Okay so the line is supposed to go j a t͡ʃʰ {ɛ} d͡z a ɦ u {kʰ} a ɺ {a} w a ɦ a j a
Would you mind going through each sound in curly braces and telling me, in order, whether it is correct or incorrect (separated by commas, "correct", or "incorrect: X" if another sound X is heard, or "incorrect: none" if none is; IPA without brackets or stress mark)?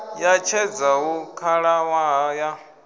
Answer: correct, correct, correct